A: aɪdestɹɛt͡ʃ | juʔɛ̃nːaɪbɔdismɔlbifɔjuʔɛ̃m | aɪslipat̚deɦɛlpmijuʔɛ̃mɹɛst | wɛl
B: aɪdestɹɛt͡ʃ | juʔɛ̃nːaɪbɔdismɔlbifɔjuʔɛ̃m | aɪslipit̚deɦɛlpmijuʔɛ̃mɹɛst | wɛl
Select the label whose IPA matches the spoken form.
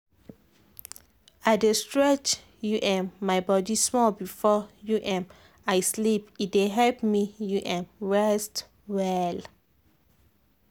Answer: B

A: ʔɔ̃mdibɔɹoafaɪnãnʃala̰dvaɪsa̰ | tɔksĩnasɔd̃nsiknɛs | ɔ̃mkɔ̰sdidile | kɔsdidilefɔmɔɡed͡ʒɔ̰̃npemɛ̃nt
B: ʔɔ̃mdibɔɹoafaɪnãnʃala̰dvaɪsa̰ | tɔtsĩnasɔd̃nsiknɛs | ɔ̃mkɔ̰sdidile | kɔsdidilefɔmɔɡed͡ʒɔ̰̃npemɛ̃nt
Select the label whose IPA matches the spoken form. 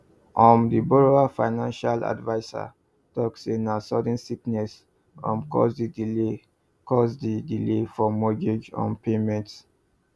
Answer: A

